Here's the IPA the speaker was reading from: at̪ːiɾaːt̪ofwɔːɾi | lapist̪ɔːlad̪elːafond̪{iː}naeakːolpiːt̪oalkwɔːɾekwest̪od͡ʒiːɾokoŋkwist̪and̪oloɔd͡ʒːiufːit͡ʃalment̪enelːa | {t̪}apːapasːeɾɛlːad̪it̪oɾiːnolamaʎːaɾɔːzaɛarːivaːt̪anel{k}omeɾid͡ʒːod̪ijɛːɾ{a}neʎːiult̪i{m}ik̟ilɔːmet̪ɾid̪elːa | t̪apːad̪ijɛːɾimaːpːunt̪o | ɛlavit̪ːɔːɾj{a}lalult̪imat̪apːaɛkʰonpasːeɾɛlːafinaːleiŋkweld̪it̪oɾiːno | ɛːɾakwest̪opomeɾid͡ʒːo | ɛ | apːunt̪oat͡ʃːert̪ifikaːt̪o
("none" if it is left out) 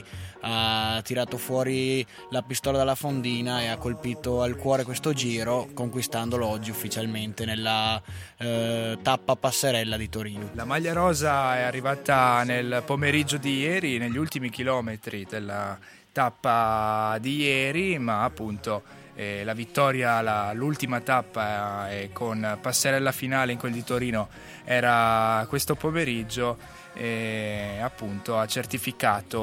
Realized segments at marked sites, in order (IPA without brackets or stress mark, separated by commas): iː, t̪, p, i, m, a